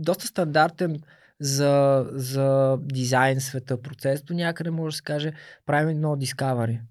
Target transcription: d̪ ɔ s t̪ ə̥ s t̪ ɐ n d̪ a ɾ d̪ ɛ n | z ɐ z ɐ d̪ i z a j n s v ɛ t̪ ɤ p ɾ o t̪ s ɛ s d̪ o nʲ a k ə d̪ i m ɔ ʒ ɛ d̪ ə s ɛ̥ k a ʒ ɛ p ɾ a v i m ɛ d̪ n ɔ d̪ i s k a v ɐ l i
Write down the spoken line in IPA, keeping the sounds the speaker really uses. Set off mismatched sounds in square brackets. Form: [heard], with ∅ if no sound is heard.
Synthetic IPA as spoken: d̪ ɔ s t̪ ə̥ s t̪ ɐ n d̪ a ɾ [t̪] ɛ n | z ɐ z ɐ d̪ i z a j n s v ɛ t̪ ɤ p ɾ o t̪ s ɛ s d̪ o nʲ a k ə d̪ [ɛ] m ɔ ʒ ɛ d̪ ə s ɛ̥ k a ʒ ɛ p ɾ a v i m ɛ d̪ n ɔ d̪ i s k a v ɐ [ɾ] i